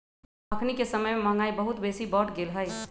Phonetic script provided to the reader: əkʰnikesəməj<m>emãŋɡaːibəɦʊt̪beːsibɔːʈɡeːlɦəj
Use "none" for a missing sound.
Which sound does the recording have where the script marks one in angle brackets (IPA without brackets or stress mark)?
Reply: m